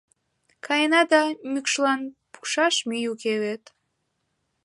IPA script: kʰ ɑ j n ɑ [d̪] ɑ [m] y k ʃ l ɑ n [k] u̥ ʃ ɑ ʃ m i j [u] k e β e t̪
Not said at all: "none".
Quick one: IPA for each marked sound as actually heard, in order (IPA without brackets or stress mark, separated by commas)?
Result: d̪, m, p, u